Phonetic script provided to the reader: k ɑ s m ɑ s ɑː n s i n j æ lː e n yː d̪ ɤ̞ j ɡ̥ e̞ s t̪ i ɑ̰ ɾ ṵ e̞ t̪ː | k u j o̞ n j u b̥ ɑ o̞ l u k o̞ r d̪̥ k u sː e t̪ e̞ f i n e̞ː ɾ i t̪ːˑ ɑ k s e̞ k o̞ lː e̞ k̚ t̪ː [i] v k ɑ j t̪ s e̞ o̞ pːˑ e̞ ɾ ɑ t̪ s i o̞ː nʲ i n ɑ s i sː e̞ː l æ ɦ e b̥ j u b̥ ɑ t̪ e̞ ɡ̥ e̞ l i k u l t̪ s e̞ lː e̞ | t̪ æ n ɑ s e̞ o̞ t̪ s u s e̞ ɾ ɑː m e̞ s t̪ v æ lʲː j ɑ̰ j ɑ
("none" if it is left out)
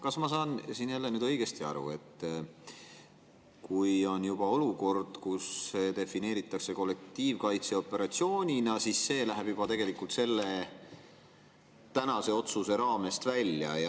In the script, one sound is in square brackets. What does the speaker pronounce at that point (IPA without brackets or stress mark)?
iː